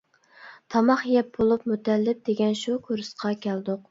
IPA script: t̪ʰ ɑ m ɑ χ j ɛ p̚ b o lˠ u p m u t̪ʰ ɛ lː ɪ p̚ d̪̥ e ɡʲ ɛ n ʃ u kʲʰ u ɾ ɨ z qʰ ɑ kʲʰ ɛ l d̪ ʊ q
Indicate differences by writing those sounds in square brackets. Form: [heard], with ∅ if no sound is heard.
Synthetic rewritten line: t̪ʰ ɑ m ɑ χ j ɛ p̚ b o lˠ u p m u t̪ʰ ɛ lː ɪ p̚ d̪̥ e ɡʲ ɛ n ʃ u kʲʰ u ɾ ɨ [s] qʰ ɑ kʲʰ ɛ l d̪ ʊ q